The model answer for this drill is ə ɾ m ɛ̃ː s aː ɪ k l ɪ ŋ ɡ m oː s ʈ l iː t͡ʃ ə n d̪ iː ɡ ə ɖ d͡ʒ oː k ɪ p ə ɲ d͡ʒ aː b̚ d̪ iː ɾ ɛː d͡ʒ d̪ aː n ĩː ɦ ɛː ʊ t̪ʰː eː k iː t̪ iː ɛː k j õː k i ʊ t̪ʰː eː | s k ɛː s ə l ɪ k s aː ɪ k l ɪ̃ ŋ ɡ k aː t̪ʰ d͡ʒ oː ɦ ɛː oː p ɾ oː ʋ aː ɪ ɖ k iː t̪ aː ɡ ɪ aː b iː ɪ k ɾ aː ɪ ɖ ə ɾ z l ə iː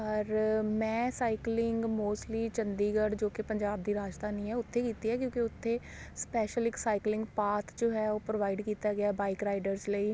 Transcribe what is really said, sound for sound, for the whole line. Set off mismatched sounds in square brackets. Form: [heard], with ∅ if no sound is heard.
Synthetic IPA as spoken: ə ɾ m ɛ̃ː s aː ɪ k l ɪ ŋ ɡ m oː s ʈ l iː t͡ʃ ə n d̪ iː ɡ ə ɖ d͡ʒ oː k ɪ p ə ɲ d͡ʒ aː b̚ d̪ iː ɾ [aː] d͡ʒ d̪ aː n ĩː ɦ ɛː ʊ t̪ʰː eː k iː t̪ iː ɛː k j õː k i ʊ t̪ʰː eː | s [p] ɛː [ʃ] ə l ɪ k s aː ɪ k l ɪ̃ ŋ ɡ [p] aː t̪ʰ d͡ʒ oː ɦ ɛː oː p ɾ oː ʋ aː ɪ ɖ k iː t̪ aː ɡ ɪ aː b [aː] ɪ k ɾ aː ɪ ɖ ə ɾ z l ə iː